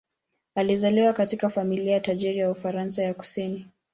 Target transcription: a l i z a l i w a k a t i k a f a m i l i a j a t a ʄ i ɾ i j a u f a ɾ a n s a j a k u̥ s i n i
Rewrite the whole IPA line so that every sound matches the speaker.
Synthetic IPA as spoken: a l i z a l i w a k a t i k a f a m i l i a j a t a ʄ i ɾ i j a u f a ɾ a n s a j a k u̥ s i n i

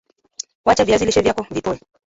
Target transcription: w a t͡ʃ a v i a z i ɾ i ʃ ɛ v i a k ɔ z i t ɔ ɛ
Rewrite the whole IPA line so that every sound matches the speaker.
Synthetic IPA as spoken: w a t͡ʃ a v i a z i l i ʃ ɛ v j a k ɔ v i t ɔ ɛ

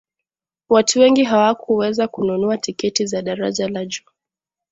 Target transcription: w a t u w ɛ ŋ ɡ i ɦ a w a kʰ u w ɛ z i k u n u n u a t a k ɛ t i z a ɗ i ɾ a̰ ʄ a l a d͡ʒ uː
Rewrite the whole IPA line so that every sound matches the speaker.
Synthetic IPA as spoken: w a t u w ɛ ŋ ɡ i ɦ a w a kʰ u w ɛ z a k u n u n u a t i k ɛ t i z a ɗ a ɾ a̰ ʄ a l a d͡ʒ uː

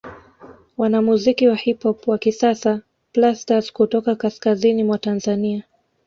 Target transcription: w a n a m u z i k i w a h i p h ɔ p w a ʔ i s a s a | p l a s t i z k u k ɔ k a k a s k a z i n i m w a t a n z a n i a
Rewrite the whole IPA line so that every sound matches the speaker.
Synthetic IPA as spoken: w a n a m u z i k i w a h i p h ɔ p w a k i s a s a | p l a s t a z k u t ɔ k a k a s k a z i n i m w a t a n z a n i a

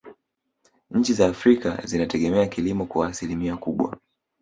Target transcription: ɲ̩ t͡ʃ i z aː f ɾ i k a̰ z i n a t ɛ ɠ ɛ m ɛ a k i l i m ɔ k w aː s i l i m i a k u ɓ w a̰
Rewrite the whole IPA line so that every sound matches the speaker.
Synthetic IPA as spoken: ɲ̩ t͡ʃ i z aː f ɾ i k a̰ z i n a t ɛ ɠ ɛ m ɛ a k i l i m ɔ k w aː s i l i m i a k u ɓ w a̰

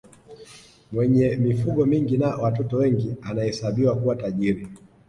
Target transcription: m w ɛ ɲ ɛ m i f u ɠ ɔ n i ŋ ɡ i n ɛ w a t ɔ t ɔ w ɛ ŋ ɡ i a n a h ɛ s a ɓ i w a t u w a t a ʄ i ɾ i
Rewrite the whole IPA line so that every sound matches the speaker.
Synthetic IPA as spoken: m w ɛ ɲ ɛ m i f u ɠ ɔ m i ŋ ɡ i n a w a t ɔ t ɔ w ɛ ŋ ɡ i a n a h ɛ s a ɓ i w a k u w a t a ʄ i ɾ i

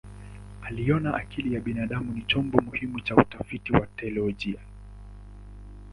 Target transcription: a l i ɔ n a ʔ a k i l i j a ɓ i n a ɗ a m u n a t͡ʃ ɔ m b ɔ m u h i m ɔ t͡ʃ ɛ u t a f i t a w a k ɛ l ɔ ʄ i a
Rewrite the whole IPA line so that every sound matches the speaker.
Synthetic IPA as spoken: a l i ɔ n a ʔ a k i l i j a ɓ i n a ɗ a m u n i t͡ʃ ɔ m b ɔ m u h i m u t͡ʃ a u t a f i t i w a t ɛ l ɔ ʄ i a

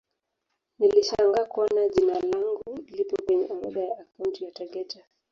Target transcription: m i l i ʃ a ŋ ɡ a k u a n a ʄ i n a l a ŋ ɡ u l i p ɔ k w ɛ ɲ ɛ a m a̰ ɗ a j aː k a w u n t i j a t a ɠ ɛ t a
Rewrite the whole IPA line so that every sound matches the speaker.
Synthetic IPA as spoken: n i l i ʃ a ŋ ɡ a k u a n a ʄ i n a l a ŋ ɡ u l i p ɔ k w ɛ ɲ ɛ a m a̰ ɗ a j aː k a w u n t i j a t a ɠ ɛ t a

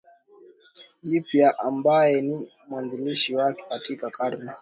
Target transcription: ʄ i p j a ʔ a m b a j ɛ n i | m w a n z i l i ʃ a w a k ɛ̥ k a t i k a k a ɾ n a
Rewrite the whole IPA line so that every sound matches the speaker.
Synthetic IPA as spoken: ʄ i p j a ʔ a m b a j ɛ n i | m w a n z i l i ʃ i w a k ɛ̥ k a t i k a k a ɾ n a

